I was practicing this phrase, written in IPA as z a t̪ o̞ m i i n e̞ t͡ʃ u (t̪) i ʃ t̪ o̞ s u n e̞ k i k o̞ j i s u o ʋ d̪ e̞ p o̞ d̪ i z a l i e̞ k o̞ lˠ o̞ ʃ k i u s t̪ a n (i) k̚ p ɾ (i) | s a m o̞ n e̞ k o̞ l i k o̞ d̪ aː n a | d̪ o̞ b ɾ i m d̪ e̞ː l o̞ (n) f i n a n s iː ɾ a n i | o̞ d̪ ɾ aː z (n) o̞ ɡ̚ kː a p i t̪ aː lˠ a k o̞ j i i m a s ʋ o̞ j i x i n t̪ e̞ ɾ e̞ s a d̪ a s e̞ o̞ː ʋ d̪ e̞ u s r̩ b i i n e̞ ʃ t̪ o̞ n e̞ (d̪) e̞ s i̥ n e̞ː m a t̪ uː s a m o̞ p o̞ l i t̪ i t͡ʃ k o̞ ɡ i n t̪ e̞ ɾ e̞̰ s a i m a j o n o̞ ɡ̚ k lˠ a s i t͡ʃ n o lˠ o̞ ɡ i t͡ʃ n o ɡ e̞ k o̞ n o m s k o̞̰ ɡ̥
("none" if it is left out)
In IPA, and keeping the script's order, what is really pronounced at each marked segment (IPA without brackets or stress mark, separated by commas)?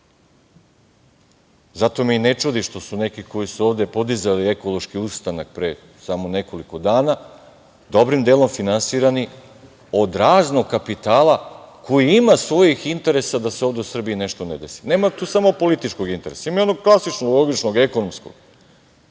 d̪, a, e, m, n, d̪